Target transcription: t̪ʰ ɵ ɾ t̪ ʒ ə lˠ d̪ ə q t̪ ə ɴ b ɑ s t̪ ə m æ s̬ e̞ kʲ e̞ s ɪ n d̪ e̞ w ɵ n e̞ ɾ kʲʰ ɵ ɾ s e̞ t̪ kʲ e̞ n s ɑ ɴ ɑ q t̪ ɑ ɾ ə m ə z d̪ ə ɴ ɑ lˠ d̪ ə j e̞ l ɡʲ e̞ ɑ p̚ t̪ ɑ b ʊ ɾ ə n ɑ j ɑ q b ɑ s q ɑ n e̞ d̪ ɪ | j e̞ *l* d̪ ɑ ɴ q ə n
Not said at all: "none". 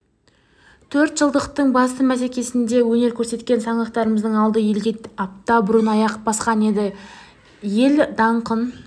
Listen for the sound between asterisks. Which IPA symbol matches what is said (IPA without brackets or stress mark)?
l